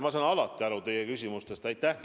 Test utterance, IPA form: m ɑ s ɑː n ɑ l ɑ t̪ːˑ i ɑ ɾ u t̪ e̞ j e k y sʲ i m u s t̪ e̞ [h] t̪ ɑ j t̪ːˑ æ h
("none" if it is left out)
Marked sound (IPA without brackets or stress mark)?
s